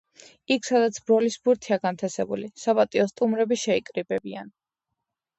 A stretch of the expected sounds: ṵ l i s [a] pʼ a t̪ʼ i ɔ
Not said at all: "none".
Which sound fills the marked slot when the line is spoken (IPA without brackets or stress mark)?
a